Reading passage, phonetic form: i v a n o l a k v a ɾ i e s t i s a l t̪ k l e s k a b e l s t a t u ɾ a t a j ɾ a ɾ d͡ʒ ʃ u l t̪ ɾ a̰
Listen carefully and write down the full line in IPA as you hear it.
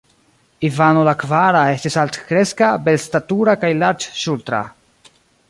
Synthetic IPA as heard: i v a n o l a k v a ɾ a e s t i s a l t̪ k ɾ e s k a b e l s t a t u ɾ a k a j l a ɾ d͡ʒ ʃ u l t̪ ɾ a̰